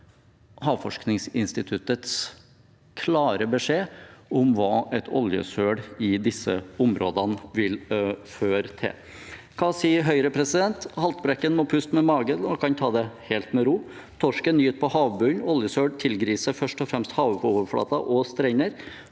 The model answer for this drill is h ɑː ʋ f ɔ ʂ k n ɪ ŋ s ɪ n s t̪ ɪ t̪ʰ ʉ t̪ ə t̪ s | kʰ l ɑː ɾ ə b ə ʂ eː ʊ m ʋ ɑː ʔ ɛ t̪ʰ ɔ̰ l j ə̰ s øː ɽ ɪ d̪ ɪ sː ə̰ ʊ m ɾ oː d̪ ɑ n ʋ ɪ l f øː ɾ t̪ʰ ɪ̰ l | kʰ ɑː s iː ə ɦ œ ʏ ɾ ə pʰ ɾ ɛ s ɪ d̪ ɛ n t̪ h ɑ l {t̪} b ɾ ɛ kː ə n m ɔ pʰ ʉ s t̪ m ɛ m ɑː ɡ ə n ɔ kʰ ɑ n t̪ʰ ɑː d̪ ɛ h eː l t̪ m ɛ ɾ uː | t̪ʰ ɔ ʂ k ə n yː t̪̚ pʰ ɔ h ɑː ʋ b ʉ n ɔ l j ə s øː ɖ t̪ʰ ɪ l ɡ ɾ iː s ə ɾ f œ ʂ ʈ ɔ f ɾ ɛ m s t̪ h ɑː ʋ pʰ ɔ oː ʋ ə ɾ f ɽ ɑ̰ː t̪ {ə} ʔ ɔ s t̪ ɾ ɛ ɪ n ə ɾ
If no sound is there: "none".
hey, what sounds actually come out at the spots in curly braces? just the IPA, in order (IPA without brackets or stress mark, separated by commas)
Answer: t̪, ɑ